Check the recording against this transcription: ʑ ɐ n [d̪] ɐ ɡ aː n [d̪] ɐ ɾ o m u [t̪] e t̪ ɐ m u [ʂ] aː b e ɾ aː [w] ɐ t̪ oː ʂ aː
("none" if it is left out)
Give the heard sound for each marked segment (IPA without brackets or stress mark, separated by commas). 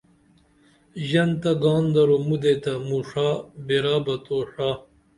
t̪, d̪, d̪, ʂ, b